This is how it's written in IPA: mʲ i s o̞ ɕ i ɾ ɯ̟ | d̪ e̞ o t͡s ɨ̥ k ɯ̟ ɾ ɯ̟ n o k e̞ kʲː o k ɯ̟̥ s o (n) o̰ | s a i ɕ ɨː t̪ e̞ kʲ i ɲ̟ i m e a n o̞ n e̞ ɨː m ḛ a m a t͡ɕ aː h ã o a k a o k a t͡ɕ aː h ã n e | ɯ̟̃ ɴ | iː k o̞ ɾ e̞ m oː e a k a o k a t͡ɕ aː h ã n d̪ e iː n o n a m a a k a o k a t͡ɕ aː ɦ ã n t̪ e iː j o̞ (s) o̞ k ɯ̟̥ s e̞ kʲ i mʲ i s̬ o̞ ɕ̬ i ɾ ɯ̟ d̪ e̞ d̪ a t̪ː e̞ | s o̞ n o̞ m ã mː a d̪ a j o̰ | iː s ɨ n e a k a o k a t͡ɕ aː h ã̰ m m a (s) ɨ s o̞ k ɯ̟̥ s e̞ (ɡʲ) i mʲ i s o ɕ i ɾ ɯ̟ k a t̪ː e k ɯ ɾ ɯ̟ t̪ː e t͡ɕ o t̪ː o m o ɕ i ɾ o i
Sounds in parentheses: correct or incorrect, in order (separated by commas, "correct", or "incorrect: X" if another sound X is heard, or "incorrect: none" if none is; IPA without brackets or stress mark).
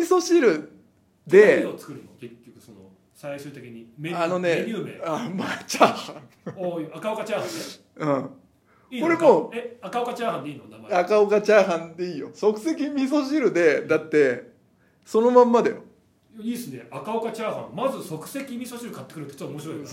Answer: correct, correct, incorrect: z, incorrect: kʲ